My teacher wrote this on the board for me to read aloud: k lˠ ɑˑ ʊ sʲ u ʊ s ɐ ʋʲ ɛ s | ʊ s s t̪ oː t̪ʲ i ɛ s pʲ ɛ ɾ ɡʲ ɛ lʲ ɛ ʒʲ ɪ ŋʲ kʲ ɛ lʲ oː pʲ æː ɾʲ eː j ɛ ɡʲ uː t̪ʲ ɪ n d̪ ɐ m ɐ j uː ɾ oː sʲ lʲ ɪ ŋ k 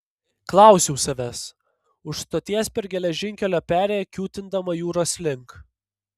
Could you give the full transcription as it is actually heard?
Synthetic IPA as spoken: k lˠ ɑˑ ʊ sʲ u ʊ s ɐ ʋʲ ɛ s | ʊ ʃ s t̪ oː t̪ʲ i ɛ s pʲ ɛ ɾ ɡʲ ɛ lʲ ɛ ʒʲ ɪ ŋʲ kʲ ɛ lʲ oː pʲ æː ɾʲ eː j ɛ kʲ uː t̪ʲ ɪ n d̪ ɐ m ɐ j uː ɾ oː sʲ lʲ ɪ ŋ k